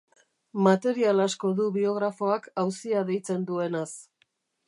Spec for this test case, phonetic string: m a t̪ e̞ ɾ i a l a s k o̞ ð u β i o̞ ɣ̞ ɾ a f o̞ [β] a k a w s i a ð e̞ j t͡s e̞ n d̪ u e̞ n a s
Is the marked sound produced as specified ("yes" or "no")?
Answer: no